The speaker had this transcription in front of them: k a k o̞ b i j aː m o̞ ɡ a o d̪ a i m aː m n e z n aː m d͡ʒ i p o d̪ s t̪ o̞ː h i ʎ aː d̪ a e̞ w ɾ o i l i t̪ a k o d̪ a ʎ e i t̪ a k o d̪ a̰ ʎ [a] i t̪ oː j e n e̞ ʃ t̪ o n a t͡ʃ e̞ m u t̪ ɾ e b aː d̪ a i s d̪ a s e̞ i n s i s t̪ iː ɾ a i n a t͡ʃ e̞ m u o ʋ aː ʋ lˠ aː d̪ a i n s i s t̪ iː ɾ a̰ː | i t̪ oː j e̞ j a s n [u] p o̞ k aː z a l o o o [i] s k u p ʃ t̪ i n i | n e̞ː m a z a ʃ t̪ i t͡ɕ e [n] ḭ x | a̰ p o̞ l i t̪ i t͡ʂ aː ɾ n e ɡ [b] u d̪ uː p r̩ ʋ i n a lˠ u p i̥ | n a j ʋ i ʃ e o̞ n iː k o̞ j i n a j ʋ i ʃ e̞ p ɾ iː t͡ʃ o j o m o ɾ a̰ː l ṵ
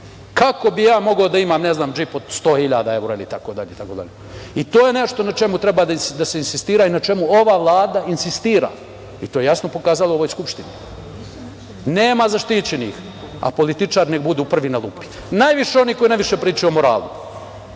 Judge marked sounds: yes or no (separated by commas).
no, no, no, yes, yes